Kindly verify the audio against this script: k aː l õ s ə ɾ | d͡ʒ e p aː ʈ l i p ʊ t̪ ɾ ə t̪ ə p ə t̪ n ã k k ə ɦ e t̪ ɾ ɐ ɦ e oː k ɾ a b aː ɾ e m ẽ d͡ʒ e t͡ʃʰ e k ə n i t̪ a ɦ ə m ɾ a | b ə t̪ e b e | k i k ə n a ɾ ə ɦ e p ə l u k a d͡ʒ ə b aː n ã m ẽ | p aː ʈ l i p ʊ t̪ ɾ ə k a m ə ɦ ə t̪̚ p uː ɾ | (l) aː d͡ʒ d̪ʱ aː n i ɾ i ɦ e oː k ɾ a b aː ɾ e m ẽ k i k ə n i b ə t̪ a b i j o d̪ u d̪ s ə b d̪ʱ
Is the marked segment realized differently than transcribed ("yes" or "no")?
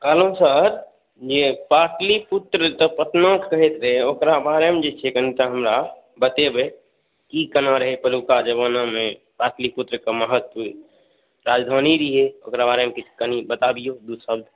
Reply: yes